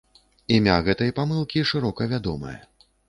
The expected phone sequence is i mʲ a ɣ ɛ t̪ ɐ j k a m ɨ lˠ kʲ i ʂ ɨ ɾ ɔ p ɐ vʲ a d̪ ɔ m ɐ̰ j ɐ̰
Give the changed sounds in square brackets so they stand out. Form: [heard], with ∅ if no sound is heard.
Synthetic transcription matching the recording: i mʲ a ɣ ɛ t̪ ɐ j [p] a m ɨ lˠ kʲ i ʂ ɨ ɾ ɔ [k] ɐ vʲ a d̪ ɔ m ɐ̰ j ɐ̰